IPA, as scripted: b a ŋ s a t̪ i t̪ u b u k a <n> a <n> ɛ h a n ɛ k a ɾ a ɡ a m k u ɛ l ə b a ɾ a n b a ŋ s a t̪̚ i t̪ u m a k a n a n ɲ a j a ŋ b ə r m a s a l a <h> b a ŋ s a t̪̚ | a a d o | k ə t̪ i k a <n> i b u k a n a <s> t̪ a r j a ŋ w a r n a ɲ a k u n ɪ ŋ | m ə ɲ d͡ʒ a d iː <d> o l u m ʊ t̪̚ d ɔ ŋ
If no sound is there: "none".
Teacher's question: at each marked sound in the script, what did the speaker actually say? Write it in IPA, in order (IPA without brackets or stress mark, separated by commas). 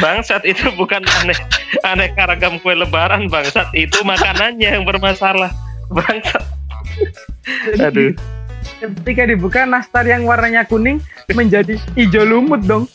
n, n, h, d, s, d͡ʒ